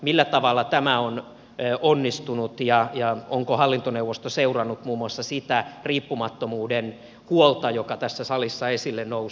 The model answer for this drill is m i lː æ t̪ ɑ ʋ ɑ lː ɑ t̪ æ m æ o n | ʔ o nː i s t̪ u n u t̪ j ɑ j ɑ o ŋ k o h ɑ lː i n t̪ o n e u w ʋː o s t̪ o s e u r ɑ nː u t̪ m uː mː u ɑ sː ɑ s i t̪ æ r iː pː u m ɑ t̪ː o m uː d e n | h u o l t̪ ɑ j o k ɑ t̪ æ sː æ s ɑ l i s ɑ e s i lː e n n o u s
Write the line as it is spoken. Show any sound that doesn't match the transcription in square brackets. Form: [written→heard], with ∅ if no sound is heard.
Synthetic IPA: m i lː æ t̪ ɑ ʋ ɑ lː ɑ t̪ æ m æ o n | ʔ o nː i s t̪ u n u t̪ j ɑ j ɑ o ŋ k o h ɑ lː i n t̪ o n e u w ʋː o s t̪ o s e u r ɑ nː u t̪ m uː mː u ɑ sː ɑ s i t̪ æ r iː pː u m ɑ t̪ː o m uː d e n | h u o l t̪ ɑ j o k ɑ t̪ æ sː æ s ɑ l i [s→sː] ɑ e s i lː e n n o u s